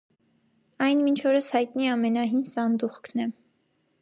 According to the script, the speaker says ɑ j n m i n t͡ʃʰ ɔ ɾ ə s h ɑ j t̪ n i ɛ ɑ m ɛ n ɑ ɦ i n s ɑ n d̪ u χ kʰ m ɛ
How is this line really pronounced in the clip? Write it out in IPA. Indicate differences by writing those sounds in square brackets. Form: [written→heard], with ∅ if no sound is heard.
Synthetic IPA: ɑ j n m i n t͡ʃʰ ɔ ɾ ə s h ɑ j t̪ n i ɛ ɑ m ɛ n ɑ ɦ i n s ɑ n d̪ u χ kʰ [m→n] ɛ